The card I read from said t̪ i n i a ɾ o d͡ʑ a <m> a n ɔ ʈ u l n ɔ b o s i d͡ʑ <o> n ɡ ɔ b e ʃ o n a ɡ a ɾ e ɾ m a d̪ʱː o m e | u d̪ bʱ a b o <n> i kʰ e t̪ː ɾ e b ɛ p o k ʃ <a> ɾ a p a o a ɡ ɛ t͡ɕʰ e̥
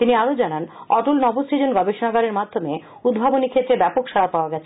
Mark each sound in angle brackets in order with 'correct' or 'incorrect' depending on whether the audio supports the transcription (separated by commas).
incorrect, correct, correct, correct